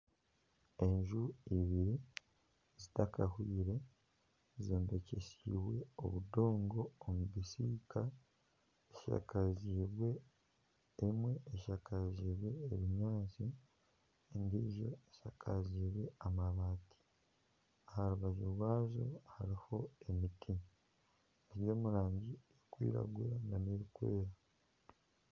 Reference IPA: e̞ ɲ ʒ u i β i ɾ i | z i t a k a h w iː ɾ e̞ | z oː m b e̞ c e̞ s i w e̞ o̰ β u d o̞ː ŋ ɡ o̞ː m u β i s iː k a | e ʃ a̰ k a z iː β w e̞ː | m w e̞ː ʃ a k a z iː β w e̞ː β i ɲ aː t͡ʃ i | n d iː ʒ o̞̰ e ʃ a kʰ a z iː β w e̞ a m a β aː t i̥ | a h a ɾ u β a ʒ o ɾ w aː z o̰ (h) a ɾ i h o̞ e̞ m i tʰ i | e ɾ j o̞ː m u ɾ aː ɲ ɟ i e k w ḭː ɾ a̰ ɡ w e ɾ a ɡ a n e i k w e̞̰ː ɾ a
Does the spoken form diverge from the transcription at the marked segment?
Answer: no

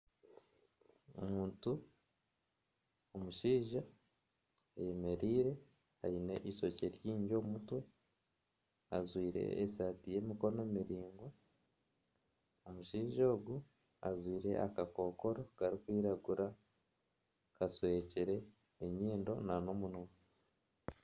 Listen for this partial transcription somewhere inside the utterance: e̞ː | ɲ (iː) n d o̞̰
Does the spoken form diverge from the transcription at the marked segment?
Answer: no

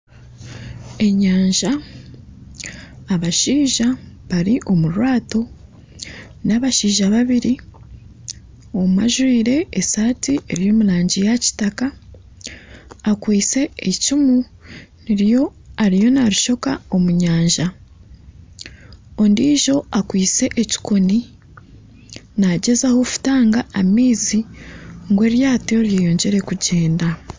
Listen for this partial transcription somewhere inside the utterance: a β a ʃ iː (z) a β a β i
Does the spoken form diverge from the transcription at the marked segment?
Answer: yes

